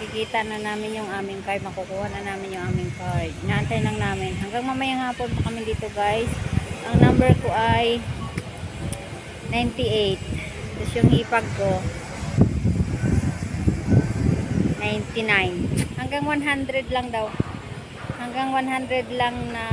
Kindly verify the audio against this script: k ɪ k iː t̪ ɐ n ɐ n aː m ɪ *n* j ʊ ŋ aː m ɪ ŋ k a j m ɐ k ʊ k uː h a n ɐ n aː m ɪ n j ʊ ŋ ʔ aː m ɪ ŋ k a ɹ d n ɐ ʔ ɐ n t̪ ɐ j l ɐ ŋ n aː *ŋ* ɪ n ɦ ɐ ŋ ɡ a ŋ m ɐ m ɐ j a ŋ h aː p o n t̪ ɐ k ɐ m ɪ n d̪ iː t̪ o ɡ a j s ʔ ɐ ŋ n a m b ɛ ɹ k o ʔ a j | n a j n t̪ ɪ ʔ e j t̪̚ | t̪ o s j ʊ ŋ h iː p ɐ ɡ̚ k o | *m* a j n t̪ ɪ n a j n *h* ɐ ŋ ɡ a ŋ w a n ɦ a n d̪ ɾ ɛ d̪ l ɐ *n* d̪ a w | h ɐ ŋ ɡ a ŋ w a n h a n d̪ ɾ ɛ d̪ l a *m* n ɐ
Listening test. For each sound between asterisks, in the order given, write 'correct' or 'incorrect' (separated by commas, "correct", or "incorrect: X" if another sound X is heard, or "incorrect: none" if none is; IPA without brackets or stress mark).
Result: correct, incorrect: m, incorrect: n, correct, incorrect: ŋ, incorrect: ŋ